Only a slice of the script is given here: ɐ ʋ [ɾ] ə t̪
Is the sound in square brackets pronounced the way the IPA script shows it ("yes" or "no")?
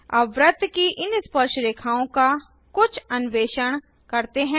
yes